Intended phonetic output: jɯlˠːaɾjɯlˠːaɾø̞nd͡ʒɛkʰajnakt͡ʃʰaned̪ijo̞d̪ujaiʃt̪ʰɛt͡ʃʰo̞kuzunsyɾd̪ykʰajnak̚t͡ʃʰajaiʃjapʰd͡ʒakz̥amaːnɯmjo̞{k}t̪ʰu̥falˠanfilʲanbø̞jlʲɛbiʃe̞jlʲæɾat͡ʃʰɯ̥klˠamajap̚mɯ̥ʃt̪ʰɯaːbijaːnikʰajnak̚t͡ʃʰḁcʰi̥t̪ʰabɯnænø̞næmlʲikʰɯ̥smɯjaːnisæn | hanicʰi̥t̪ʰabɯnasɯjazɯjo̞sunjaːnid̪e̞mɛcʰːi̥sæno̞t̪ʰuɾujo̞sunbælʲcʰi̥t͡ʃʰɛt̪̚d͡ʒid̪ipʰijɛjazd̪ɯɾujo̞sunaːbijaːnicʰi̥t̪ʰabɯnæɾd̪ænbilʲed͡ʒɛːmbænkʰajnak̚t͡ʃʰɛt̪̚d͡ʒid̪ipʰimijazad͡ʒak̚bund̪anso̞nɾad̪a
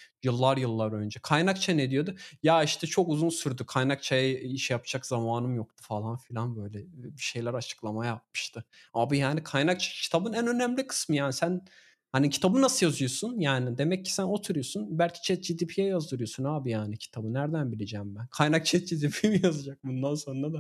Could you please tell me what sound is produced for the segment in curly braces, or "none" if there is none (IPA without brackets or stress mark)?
k